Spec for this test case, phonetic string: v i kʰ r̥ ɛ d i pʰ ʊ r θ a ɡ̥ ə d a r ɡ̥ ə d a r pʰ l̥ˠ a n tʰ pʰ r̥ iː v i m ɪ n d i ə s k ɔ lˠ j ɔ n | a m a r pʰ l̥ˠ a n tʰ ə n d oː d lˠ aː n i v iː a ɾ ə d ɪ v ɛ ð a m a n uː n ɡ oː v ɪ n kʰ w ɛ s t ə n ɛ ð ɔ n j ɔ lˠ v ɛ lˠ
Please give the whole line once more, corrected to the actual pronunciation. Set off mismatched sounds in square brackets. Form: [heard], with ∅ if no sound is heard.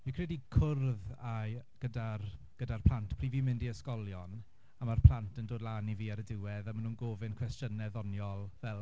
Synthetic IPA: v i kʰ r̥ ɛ d i [kʰ] ʊ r [ð] a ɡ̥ ə d a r ɡ̥ ə d a r pʰ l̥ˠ a n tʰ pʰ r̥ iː v i m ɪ n d i ə s k ɔ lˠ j ɔ n | a m a r pʰ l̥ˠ a n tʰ ə n d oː d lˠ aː n i v iː a ɾ ə d ɪ [w] ɛ ð a m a n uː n ɡ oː v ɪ n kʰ w ɛ s t ə n ɛ ð ɔ n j ɔ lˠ v ɛ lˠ